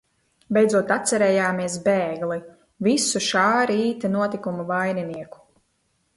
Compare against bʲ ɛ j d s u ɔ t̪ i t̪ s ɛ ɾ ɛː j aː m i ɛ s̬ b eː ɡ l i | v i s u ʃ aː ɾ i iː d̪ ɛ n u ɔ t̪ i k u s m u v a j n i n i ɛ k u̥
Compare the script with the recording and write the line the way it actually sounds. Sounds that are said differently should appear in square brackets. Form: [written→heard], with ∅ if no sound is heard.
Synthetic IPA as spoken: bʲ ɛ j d [s→z] u ɔ t̪ [i→a] t̪ s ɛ ɾ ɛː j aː m i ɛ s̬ b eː ɡ l i | v i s u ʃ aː ɾ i iː [d̪→t̪] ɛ n u ɔ t̪ i k u [s→∅] m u v a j n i n i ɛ k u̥